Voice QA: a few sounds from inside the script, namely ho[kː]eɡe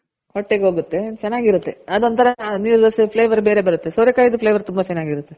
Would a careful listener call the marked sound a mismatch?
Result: yes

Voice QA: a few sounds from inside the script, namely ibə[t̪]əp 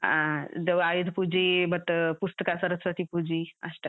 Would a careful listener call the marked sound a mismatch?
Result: no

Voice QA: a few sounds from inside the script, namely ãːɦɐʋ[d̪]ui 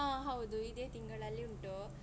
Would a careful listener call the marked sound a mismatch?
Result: no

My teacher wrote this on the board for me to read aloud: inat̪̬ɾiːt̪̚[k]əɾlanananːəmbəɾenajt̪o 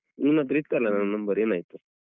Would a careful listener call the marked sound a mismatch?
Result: no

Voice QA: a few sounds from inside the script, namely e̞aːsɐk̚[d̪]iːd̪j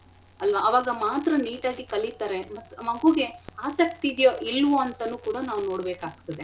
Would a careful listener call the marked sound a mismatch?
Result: yes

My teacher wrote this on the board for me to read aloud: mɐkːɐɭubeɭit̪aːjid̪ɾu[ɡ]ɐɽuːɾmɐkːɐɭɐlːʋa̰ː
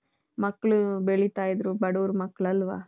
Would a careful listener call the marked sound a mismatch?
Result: yes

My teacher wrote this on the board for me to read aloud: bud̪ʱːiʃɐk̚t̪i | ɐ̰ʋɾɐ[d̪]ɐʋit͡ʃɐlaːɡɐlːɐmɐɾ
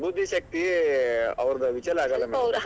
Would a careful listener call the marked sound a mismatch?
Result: no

